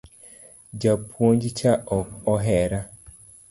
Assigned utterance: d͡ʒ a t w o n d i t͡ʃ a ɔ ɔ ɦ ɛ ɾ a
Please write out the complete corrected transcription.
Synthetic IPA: d͡ʒ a p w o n d͡ʒ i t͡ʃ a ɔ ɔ ɦ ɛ ɾ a